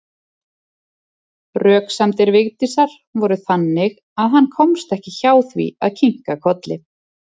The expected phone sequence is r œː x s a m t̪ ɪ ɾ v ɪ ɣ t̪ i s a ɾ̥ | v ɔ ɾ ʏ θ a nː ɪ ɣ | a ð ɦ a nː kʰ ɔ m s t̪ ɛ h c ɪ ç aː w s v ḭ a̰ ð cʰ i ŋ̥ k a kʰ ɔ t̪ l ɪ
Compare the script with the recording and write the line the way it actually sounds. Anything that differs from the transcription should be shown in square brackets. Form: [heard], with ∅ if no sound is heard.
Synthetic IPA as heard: r œː [k] s a m t̪ ɪ ɾ v ɪ ɣ t̪ i s a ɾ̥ | v ɔ ɾ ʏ θ a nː ɪ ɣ | a ð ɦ a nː kʰ ɔ m s t̪ ɛ h c ɪ ç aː w [θ] v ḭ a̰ ð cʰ i ŋ̥ k a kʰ ɔ t̪ l ɪ